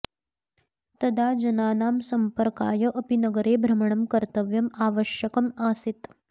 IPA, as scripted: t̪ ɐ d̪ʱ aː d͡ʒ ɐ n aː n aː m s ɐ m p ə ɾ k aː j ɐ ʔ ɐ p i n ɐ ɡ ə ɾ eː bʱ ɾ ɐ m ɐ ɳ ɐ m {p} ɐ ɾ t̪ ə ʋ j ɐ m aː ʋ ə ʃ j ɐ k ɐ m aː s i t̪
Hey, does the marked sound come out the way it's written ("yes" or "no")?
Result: no